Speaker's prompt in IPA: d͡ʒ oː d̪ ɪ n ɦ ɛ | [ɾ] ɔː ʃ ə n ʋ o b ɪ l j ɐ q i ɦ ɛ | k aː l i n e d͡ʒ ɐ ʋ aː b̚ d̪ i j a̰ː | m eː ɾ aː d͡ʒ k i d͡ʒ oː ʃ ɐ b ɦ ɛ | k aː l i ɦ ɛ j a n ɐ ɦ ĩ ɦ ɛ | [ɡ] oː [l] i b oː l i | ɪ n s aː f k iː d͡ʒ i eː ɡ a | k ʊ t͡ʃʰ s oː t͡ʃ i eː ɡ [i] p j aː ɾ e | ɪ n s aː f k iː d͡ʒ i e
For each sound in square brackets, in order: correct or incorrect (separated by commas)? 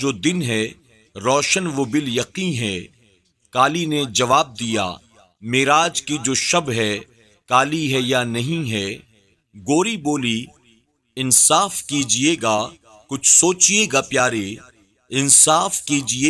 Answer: correct, correct, incorrect, incorrect